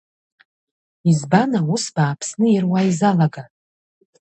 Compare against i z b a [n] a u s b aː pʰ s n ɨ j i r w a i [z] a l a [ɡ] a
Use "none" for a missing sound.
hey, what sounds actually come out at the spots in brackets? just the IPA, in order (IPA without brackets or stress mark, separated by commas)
n, z, ɡ